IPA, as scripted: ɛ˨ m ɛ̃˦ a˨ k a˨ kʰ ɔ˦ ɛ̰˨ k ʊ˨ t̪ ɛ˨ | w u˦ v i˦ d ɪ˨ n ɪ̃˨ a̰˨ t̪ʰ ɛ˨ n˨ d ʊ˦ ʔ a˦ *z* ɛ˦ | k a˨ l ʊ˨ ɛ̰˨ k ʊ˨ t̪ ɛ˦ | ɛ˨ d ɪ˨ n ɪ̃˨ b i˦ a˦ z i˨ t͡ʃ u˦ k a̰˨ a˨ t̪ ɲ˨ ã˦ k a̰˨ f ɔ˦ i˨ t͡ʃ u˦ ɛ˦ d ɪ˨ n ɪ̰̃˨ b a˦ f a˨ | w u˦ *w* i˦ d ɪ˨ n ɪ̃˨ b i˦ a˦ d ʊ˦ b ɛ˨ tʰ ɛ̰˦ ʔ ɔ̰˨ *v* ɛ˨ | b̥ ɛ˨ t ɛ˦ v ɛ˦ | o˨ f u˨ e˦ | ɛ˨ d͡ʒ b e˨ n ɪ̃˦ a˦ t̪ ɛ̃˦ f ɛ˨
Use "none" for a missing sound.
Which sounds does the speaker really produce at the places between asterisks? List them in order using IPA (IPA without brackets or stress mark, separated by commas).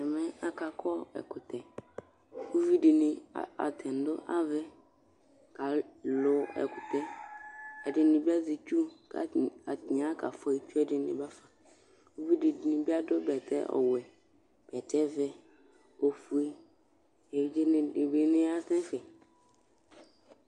v, v, w